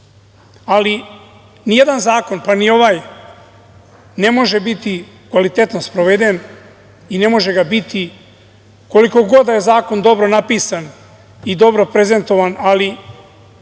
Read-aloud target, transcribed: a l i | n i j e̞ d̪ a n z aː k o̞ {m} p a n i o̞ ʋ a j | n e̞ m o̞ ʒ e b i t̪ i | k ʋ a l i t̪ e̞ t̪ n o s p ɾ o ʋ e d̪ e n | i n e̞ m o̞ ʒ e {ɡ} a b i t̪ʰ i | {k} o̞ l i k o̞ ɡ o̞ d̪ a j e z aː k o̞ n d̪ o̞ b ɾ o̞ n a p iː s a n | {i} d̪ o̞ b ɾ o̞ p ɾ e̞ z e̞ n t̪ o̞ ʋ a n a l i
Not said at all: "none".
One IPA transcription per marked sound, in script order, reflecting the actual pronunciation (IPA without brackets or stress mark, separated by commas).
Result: n, ɡ, k, i